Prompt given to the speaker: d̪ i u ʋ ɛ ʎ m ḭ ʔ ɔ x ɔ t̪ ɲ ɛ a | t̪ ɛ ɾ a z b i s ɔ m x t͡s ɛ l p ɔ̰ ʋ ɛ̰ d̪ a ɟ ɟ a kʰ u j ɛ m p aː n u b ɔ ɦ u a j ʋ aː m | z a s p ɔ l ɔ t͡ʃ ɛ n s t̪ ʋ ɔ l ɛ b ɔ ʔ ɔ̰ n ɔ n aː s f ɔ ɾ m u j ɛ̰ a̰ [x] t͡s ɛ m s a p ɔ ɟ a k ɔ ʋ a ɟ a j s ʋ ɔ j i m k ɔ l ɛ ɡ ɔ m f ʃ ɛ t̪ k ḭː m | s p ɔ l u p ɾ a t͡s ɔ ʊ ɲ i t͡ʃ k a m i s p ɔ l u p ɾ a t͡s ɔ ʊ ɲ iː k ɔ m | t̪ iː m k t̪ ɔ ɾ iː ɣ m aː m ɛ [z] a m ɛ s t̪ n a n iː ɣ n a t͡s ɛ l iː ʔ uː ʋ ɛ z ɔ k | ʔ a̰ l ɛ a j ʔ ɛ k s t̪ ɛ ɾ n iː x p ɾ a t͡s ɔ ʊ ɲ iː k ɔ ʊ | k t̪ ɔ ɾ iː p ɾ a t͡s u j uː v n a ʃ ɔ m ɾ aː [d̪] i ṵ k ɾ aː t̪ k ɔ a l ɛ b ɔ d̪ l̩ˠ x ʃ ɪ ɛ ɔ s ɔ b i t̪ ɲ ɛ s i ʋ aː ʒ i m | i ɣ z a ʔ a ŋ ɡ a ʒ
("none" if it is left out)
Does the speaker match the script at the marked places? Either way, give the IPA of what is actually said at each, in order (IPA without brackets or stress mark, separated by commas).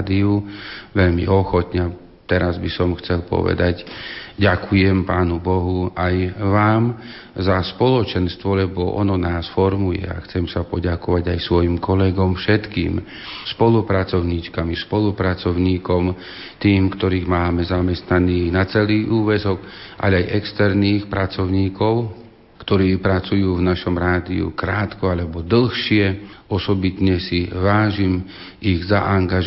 x, z, d̪